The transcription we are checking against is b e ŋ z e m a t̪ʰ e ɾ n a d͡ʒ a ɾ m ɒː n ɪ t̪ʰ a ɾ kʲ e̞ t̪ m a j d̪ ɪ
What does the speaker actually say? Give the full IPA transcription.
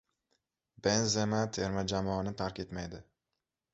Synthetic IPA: b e n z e m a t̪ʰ e ɾ m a d͡ʒ a m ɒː n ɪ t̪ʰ a ɾ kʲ e̞ t̪ m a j d̪ ɪ